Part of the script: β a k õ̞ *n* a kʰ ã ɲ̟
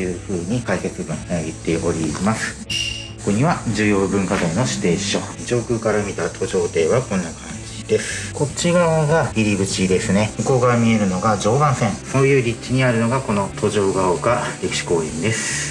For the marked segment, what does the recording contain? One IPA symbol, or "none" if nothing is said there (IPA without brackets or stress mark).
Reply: nː